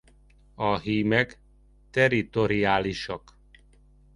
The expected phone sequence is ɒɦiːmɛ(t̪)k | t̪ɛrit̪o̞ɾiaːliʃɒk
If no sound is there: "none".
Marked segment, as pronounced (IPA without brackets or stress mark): none